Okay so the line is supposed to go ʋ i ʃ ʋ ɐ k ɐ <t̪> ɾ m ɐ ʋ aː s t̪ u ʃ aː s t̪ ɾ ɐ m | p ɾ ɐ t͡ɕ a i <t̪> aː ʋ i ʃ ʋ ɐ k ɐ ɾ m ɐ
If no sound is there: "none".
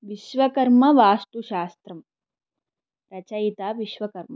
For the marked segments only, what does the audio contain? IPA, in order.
none, t̪

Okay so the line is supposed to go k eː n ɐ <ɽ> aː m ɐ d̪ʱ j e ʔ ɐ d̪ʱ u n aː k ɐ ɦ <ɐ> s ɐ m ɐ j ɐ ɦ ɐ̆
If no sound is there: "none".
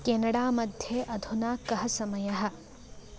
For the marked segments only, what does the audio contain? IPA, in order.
ɽ, ɐ

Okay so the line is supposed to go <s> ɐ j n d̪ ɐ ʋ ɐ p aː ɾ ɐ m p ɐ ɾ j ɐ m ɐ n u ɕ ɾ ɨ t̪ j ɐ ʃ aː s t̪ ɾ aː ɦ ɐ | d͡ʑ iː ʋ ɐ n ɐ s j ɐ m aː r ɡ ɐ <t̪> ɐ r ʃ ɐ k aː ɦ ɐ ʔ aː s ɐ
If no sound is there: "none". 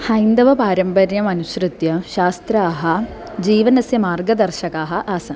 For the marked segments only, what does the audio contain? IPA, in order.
h, d̪

